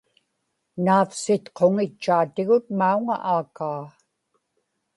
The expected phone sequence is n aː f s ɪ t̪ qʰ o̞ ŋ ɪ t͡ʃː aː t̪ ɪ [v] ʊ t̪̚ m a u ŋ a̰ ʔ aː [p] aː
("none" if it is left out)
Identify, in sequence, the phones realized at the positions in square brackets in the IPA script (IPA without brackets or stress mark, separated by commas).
ɣ, k